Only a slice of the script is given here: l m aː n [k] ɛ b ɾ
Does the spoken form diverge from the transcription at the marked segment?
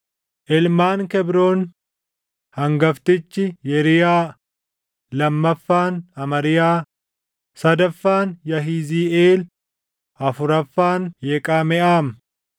no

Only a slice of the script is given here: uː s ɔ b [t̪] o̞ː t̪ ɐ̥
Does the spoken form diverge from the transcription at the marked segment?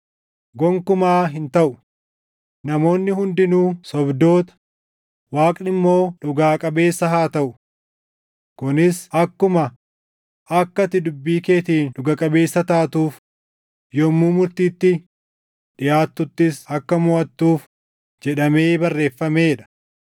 yes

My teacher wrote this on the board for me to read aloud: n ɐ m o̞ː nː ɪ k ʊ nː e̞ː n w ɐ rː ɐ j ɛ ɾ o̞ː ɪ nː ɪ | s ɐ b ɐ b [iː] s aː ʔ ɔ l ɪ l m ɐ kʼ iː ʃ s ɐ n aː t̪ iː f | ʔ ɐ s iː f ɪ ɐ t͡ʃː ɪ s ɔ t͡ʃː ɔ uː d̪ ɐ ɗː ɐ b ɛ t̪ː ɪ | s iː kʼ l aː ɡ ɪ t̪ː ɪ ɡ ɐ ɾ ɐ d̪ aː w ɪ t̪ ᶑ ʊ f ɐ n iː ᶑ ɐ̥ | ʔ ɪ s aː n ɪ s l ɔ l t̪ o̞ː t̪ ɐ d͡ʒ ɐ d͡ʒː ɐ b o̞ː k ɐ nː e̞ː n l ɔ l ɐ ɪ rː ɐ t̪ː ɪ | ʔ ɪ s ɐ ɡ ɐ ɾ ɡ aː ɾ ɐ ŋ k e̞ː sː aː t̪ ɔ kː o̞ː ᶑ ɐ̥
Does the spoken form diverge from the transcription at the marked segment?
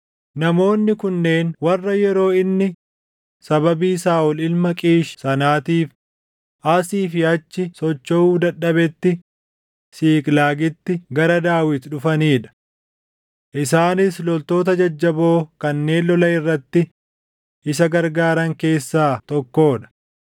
no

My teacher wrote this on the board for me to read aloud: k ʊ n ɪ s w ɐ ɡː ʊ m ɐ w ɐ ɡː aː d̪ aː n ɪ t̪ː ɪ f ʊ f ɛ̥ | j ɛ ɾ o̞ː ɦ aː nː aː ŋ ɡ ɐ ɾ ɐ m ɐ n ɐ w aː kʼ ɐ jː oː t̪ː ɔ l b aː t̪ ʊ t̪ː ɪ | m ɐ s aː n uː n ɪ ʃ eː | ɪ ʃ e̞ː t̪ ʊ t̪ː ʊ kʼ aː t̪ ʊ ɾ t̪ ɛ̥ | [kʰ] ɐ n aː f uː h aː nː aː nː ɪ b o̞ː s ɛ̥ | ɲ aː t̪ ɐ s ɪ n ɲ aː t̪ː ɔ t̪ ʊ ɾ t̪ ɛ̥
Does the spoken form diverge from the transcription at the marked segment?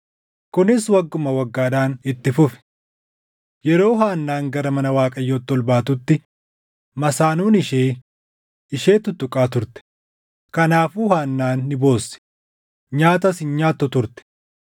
yes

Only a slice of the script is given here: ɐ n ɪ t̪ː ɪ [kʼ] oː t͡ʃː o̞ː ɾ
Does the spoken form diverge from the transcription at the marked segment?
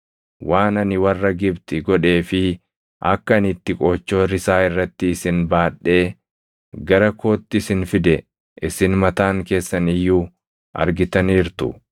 no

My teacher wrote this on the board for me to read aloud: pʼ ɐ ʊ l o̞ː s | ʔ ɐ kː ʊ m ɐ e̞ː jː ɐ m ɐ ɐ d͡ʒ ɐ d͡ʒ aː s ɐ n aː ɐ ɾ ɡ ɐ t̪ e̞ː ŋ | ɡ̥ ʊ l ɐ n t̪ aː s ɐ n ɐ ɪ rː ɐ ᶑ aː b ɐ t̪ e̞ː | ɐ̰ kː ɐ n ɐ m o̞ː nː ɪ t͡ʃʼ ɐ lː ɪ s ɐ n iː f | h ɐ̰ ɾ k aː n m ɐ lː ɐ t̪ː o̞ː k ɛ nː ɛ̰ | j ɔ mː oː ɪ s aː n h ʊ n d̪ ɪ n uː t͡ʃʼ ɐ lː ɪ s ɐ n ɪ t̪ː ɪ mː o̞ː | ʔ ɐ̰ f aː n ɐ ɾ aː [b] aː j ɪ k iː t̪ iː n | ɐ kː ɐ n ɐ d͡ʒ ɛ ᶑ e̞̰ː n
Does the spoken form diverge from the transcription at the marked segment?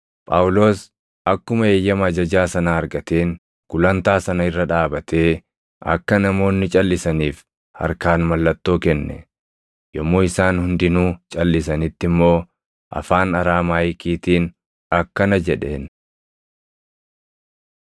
yes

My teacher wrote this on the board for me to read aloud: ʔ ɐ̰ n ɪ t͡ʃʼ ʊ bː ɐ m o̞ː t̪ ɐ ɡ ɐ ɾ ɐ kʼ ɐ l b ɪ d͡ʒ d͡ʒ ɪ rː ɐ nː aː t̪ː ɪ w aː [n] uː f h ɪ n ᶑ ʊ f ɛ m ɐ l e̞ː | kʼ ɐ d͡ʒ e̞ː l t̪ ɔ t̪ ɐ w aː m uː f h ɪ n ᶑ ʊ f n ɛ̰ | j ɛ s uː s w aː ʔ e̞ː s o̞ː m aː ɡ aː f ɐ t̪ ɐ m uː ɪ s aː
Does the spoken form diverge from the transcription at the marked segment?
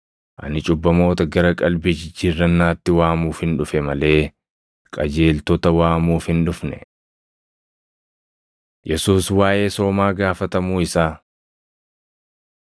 yes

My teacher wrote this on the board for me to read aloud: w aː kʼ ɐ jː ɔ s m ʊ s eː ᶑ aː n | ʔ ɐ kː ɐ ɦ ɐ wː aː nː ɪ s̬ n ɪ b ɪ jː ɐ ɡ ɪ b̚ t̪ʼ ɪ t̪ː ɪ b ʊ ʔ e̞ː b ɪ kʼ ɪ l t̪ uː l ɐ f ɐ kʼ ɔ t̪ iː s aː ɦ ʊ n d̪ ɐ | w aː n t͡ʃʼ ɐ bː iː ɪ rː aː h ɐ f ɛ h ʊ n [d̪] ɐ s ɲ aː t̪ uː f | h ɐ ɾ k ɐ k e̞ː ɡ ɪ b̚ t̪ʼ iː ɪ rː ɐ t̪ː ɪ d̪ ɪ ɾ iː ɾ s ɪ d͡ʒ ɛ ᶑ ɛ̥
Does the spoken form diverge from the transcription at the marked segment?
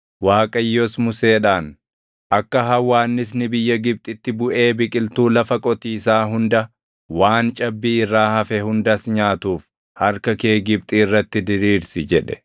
no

